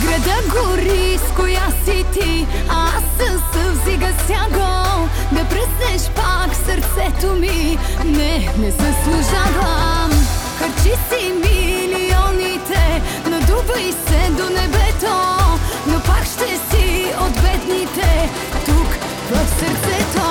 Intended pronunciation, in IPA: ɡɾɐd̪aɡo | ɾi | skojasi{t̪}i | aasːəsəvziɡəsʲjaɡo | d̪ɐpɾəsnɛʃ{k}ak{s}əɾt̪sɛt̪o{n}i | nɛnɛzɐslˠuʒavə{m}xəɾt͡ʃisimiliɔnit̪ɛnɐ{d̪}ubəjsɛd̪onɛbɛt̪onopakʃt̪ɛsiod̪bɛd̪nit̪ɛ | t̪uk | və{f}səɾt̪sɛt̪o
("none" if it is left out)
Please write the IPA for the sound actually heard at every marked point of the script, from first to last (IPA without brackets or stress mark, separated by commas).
t̪, p, s, m, m, d̪, f